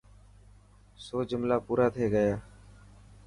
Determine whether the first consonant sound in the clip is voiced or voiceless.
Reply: voiceless